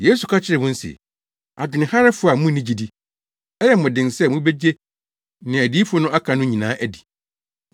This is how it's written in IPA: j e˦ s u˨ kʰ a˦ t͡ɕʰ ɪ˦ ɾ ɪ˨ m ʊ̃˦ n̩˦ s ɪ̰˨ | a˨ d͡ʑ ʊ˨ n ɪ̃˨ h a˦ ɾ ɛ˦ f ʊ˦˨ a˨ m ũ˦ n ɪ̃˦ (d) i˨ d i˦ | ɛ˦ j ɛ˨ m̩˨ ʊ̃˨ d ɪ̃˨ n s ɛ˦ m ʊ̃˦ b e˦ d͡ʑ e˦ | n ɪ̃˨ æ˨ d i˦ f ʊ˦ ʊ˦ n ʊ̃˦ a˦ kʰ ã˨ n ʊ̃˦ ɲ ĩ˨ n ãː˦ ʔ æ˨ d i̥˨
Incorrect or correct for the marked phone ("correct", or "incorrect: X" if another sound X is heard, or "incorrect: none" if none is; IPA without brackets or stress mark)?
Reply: incorrect: d͡ʑ